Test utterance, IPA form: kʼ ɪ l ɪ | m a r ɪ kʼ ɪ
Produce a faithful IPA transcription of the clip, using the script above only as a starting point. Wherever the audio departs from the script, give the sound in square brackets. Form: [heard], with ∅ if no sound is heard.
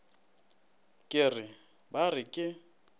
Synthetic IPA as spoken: kʼ ɪ [r] ɪ | [b] a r ɪ kʼ ɪ